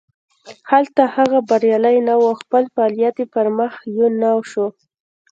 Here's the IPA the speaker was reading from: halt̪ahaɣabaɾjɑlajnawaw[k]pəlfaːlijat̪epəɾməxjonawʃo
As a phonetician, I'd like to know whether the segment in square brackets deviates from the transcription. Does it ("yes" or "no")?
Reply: yes